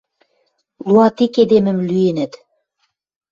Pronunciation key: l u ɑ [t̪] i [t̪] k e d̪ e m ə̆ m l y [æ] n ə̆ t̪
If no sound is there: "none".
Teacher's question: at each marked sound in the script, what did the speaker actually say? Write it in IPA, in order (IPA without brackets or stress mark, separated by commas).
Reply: t̪, none, e